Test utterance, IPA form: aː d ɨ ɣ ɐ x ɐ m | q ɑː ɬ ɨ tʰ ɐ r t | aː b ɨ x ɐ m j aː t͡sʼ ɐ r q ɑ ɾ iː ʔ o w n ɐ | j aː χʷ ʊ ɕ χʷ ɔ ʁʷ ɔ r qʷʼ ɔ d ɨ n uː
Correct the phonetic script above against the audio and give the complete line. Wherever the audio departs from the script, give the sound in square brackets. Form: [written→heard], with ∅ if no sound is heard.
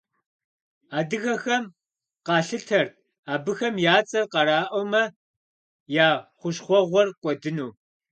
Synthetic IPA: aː d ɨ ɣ ɐ x ɐ m | q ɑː ɬ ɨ tʰ ɐ r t | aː b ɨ x ɐ m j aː t͡sʼ ɐ r q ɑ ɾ [iː→aː] ʔ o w [n→m] ɐ | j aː χʷ ʊ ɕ χʷ ɔ ʁʷ ɔ r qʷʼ ɔ d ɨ n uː